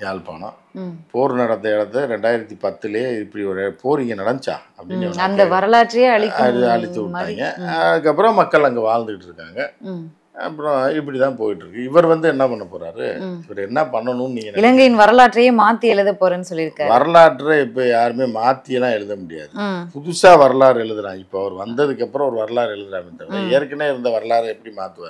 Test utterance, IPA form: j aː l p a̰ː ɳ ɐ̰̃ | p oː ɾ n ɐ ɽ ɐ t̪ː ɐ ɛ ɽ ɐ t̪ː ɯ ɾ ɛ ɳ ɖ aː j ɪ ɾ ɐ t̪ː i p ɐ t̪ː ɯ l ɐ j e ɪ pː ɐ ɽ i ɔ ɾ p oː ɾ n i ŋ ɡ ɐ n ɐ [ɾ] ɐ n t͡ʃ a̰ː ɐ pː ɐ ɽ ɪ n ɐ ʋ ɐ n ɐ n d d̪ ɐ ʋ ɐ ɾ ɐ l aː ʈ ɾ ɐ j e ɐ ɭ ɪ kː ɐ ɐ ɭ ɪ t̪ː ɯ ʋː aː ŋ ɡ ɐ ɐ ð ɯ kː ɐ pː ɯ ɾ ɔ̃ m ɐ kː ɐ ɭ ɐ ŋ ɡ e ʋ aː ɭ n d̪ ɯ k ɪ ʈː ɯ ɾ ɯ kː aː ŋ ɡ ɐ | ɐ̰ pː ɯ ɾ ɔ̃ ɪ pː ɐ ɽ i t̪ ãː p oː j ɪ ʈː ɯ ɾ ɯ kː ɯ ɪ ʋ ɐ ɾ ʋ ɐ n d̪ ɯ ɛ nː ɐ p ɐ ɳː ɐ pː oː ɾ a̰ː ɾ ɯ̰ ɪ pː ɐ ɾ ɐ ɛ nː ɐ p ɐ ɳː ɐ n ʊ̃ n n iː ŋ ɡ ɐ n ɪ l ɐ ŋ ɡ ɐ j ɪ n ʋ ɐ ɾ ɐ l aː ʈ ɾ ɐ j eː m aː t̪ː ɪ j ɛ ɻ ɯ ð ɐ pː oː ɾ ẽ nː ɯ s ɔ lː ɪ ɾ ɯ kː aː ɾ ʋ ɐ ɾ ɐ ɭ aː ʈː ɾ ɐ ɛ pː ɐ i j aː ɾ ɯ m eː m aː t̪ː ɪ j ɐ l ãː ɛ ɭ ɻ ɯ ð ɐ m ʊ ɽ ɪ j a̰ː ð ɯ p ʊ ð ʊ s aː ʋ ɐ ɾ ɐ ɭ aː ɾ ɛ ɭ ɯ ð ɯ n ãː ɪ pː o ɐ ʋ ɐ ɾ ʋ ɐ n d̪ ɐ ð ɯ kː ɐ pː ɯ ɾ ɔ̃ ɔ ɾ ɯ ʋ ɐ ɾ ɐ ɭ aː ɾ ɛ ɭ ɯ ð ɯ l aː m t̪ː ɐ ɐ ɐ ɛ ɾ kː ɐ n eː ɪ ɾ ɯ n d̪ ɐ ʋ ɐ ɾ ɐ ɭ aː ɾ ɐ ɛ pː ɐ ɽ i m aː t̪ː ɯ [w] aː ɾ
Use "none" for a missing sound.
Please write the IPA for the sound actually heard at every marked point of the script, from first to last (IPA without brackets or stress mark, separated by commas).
ɽ, ʋ